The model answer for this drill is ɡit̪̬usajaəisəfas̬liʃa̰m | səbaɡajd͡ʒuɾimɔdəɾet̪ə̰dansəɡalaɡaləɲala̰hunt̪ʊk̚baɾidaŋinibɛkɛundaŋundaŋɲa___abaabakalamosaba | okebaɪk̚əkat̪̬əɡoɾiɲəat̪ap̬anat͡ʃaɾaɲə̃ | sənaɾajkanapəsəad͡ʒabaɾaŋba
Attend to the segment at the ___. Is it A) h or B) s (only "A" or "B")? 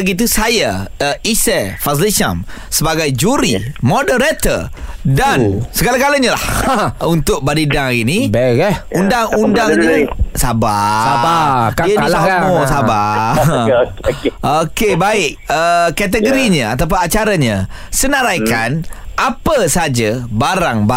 B